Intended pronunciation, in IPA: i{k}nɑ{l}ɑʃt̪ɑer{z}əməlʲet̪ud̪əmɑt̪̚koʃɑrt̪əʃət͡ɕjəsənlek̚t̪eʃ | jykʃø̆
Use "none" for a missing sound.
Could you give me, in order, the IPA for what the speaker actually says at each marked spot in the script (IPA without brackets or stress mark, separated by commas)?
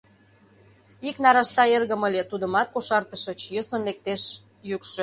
k, ɾ, ɣ